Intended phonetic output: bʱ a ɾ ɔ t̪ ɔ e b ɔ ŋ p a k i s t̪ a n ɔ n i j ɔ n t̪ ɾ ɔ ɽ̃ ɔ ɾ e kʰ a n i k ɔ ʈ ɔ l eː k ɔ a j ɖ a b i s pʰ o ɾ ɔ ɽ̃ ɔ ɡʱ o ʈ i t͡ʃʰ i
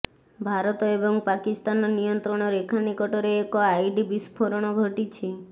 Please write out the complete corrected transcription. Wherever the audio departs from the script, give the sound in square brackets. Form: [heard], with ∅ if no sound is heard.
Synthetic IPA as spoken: bʱ a ɾ ɔ t̪ ɔ e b ɔ ŋ p a k i s t̪ a n ɔ n i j ɔ n t̪ ɾ ɔ ɽ̃ ɔ ɾ e kʰ a n i k ɔ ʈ ɔ [ɾ] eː k ɔ a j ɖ [i] b i s pʰ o ɾ ɔ ɽ̃ ɔ ɡʱ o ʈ i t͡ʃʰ i